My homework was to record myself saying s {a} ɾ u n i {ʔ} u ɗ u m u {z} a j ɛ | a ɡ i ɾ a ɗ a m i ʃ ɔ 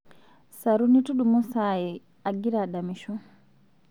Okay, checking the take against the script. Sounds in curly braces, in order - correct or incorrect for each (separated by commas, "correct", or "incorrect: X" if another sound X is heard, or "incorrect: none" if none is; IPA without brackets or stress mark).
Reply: correct, incorrect: t, incorrect: s